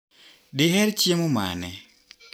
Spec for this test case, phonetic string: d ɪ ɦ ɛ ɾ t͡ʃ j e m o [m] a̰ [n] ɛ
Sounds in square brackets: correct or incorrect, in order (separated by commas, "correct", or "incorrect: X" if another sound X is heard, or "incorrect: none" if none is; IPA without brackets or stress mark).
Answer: correct, correct